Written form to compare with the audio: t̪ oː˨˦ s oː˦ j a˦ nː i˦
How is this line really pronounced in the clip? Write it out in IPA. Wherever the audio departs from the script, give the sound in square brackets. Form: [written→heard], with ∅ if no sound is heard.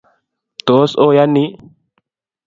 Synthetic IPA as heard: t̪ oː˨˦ s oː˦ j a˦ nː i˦